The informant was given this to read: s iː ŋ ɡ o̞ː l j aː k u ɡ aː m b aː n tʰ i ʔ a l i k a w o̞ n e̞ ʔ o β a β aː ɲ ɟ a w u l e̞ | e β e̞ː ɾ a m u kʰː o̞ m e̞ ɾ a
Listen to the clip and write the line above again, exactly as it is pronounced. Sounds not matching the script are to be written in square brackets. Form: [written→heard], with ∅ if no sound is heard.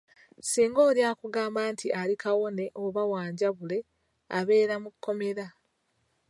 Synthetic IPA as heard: s iː ŋ ɡ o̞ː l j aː k u ɡ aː m b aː n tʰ i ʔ a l i k a w o̞ n e̞ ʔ o β a [β→w] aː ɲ ɟ a [w→β] u l e̞ | [e→a] β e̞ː ɾ a m u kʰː o̞ m e̞ ɾ a